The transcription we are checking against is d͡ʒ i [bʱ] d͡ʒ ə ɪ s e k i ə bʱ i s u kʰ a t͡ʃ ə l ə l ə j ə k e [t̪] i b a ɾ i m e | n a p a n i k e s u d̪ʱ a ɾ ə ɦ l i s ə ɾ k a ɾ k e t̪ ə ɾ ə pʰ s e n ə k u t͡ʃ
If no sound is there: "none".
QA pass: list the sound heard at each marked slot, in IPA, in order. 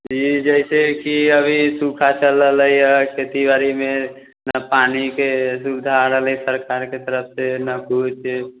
none, t̪

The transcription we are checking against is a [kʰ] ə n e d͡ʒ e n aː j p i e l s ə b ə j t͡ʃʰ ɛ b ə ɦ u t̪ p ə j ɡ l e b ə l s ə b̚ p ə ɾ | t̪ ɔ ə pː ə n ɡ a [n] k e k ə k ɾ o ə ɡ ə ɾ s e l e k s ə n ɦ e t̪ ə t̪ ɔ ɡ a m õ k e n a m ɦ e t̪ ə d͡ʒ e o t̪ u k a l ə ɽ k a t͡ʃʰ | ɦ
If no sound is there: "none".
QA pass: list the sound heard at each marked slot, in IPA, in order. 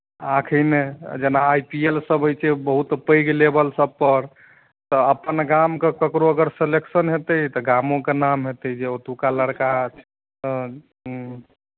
kʰ, m

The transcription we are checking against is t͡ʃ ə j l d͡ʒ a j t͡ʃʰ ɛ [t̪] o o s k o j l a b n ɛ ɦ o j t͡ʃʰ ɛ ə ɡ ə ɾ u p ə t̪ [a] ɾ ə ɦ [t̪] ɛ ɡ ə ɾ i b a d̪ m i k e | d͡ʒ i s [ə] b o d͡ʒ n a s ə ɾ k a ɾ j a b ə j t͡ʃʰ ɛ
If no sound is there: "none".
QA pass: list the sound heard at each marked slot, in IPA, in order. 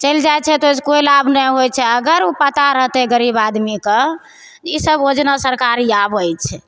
t̪, a, t̪, ə

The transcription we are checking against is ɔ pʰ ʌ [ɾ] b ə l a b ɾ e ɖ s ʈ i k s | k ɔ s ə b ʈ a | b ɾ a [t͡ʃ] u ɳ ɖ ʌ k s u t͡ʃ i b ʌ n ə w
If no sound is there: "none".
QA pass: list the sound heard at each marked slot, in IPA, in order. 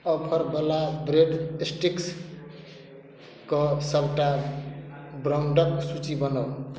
ɾ, none

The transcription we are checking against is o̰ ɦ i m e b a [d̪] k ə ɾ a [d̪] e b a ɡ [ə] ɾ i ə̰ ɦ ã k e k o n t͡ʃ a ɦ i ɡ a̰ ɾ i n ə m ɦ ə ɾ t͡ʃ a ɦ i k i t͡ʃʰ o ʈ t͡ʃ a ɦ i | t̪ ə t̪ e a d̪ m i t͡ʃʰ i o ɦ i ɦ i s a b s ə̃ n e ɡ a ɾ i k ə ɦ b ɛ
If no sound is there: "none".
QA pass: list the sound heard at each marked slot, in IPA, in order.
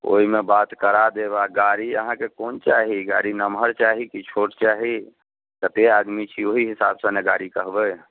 t̪, d̪, a

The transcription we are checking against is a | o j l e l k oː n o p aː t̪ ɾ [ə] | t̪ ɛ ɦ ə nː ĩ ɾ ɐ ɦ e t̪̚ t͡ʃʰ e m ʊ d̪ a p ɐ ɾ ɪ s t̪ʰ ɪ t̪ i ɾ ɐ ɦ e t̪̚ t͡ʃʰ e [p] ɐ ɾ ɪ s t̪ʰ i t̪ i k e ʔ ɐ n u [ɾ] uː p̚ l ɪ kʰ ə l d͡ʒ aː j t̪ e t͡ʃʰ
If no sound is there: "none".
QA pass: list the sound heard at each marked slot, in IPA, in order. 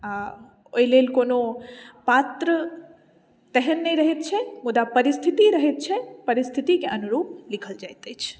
ə, p, ɾ

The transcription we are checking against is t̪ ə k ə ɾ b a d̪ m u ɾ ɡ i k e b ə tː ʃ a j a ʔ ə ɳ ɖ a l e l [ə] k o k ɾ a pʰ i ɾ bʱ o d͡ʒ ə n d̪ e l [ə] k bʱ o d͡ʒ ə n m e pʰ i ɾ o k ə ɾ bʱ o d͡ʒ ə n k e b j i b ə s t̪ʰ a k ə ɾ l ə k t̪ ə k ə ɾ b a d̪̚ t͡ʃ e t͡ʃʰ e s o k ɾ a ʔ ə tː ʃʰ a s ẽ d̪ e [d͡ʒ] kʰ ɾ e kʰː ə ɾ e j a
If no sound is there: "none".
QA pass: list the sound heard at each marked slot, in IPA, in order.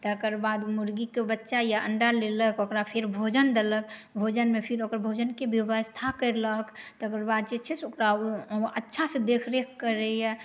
ə, ə, none

